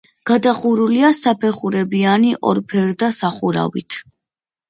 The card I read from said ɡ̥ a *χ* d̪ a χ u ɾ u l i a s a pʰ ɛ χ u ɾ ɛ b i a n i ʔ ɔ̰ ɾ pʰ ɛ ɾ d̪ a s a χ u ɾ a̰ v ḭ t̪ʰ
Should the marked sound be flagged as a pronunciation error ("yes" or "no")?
yes